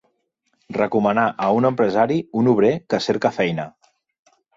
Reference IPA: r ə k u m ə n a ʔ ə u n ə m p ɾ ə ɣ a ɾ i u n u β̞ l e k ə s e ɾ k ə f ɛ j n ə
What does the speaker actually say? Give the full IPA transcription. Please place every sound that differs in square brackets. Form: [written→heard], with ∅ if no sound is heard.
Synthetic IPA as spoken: r ə k u m ə n a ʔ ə u n ə m p ɾ ə [ɣ→z] a ɾ i u n u β̞ [l→ɾ] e k ə s e ɾ k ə f ɛ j n ə

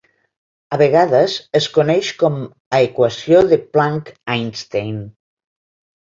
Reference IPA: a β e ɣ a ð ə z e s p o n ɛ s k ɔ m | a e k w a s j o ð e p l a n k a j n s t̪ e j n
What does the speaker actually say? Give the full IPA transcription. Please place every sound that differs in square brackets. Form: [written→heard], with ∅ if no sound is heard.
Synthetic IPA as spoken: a β e ɣ a ð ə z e s [p→k] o n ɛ [s→ʃ] k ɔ m | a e k w a s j o ð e p l a [n→ŋ] k a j n s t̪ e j n

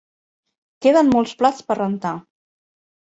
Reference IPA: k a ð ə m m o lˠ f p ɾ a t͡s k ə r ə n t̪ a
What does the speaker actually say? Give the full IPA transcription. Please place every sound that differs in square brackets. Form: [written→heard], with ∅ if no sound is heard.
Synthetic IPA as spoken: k [a→e] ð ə [m→n] m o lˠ [f→s] p [ɾ→l] a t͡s [k→p] ə r ə n t̪ a

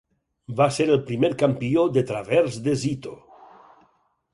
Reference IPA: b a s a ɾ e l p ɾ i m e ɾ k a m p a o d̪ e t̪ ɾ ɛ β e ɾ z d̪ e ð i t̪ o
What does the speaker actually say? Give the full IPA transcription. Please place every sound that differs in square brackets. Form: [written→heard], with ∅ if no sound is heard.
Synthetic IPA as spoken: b a s [a→e] ɾ e l p ɾ i m e ɾ k a m p [a→i] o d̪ e t̪ ɾ [ɛ→a] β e ɾ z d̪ e [ð→z] i t̪ o

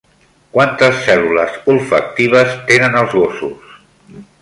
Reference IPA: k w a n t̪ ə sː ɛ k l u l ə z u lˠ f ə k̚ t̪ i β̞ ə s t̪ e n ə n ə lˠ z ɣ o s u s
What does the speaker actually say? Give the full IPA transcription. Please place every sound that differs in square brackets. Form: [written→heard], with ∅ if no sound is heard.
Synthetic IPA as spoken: k w a n t̪ ə sː ɛ [k→∅] l u l ə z u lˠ f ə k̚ t̪ i β̞ ə s t̪ e n ə n ə lˠ z ɣ o s u s

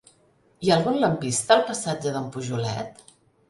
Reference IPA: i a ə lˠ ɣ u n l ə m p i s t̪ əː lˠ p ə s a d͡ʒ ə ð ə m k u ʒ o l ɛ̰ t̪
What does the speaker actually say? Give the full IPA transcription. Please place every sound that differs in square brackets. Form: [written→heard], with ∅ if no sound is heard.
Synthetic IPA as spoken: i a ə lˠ ɣ u n l ə m p i s t̪ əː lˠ p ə s a d͡ʒ ə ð ə m [k→p] u ʒ [o→u] l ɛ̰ t̪

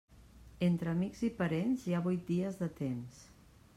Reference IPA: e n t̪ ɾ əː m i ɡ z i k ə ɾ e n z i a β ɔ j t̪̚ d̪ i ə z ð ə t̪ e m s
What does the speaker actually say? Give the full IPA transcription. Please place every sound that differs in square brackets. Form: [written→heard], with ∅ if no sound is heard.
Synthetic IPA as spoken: e n t̪ ɾ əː m i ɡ z i [k→p] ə ɾ e n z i a β [ɔ→u] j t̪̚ d̪ i ə z ð ə t̪ e m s

